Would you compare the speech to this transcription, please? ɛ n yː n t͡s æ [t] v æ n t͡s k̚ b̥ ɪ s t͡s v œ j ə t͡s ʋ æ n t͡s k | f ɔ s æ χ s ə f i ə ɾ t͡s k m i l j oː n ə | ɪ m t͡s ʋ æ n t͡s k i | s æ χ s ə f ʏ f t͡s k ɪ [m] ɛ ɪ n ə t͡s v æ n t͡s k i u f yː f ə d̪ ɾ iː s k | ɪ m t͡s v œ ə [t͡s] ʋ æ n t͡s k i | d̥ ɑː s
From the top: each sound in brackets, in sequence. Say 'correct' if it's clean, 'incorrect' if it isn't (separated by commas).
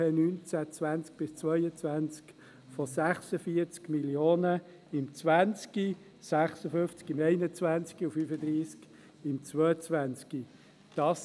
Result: incorrect, correct, correct